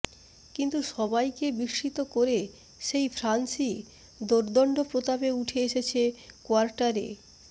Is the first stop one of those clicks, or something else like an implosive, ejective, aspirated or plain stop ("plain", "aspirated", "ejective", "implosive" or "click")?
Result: plain